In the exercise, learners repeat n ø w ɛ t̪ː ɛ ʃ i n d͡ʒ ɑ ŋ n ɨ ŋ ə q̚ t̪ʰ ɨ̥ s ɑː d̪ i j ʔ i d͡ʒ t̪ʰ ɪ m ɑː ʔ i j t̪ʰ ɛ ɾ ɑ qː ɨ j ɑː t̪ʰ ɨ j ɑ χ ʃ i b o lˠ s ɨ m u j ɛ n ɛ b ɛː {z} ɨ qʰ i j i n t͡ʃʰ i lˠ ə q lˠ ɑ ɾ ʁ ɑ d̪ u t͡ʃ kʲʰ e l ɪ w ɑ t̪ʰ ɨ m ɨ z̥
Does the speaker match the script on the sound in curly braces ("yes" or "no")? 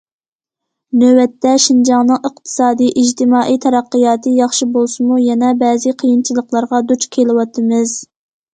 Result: yes